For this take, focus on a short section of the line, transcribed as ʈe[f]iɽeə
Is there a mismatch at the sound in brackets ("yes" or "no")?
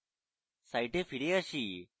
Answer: no